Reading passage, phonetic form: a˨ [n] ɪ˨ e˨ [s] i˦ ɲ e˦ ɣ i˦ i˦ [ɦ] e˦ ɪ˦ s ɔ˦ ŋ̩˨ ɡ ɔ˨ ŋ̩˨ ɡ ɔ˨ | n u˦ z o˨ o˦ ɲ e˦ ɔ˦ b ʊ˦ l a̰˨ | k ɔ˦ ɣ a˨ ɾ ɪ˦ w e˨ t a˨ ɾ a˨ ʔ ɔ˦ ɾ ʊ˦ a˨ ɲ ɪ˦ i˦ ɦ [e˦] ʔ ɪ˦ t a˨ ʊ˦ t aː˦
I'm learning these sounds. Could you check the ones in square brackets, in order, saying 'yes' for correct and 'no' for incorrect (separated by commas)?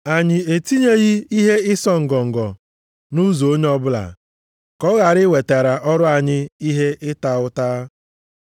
no, no, yes, yes